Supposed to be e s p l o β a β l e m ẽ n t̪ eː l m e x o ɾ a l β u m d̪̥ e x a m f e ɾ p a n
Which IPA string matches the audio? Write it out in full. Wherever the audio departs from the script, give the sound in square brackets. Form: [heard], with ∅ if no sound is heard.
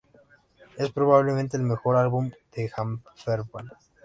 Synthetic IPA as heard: e s p [ɾ] o β a β l e m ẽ n t̪ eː l m e x o ɾ a l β u m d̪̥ e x a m f e ɾ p a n